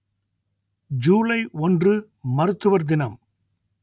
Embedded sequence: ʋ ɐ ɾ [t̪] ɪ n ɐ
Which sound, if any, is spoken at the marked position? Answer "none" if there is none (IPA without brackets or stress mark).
d̪